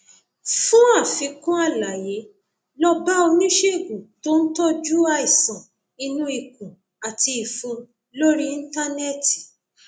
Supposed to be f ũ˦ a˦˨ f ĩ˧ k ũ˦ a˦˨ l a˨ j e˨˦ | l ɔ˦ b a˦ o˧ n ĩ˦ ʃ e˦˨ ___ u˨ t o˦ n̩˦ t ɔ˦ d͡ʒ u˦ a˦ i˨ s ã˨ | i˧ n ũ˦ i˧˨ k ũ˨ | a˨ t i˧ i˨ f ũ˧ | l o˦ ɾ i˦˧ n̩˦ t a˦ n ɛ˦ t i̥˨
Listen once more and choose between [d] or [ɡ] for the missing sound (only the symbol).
ɡ